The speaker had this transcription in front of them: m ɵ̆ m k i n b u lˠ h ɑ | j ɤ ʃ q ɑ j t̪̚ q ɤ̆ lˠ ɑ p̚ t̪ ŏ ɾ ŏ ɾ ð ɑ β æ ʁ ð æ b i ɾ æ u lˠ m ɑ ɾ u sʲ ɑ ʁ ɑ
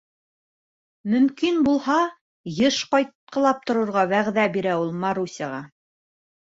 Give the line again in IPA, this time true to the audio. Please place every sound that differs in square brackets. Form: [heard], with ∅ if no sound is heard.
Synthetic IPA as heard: m ɵ̆ m k i n b u lˠ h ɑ | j ɤ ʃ q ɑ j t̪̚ q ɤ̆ lˠ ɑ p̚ t̪ ŏ ɾ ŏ ɾ [ʁ] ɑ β æ ʁ ð æ b i ɾ æ u lˠ m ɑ ɾ u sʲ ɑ ʁ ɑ